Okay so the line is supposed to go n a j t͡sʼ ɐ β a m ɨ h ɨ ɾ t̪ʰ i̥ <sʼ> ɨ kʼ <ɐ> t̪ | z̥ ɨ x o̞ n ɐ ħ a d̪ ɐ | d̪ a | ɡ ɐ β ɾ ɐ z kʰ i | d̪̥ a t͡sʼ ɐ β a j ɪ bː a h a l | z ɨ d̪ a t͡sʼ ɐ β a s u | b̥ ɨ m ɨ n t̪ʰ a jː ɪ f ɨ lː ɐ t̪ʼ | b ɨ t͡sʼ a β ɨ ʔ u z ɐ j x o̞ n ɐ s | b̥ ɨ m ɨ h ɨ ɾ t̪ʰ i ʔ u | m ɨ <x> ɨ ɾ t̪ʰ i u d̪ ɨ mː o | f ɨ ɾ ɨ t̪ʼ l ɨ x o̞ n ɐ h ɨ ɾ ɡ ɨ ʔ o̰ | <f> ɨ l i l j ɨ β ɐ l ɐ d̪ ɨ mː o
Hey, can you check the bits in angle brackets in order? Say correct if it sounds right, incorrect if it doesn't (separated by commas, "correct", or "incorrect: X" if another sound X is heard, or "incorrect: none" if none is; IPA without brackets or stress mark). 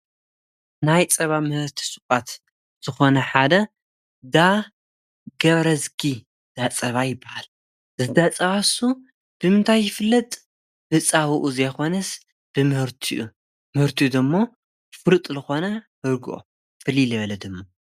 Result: correct, incorrect: a, incorrect: h, correct